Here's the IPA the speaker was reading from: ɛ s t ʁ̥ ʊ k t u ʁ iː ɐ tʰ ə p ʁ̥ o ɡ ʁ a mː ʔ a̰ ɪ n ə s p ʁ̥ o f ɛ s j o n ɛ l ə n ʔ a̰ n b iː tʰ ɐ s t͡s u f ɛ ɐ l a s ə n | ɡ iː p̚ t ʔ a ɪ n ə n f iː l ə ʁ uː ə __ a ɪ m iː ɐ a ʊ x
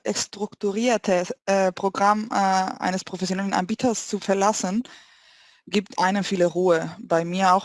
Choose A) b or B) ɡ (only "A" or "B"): A